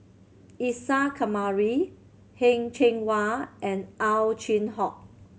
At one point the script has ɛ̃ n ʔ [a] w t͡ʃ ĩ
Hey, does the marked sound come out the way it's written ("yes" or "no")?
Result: yes